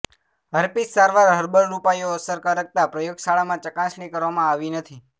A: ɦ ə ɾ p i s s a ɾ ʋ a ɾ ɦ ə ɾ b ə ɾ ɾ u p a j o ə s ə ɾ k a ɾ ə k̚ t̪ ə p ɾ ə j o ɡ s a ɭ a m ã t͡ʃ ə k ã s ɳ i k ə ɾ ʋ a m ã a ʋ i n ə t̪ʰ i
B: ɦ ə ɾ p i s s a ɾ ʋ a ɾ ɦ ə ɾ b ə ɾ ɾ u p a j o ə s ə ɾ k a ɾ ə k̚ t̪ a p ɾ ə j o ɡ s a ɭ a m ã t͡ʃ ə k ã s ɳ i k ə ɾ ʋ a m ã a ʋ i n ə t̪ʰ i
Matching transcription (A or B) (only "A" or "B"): B